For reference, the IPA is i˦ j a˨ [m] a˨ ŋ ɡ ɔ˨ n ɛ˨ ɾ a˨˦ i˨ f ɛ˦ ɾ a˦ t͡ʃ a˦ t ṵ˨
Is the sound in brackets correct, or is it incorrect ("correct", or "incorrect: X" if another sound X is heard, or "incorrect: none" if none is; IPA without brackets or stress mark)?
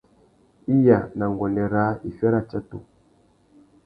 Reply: incorrect: n